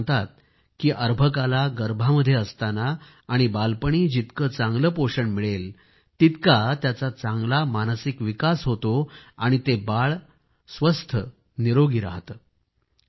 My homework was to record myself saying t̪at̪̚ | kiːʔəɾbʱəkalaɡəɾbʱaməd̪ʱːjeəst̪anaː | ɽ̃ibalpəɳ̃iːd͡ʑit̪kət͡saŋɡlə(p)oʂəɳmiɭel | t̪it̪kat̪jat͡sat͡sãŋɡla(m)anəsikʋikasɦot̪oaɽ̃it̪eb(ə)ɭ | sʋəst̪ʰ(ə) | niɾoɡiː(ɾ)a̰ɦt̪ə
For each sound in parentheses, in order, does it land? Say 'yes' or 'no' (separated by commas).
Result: yes, yes, no, yes, yes